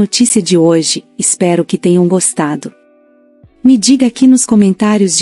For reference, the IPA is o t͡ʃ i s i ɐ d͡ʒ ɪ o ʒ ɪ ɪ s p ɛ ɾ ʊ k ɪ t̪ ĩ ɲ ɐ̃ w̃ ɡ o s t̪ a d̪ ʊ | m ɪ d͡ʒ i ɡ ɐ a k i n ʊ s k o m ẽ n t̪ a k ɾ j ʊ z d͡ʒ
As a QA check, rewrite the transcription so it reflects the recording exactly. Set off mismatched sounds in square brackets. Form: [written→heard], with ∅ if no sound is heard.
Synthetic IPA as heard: o t͡ʃ i s i ɐ d͡ʒ ɪ o ʒ ɪ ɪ s p ɛ ɾ ʊ k ɪ t̪ [ĩ→ẽ] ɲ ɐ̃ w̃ ɡ o s t̪ a d̪ ʊ | m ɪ d͡ʒ i ɡ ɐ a k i n ʊ s k o m ẽ n t̪ a [k→∅] ɾ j ʊ z d͡ʒ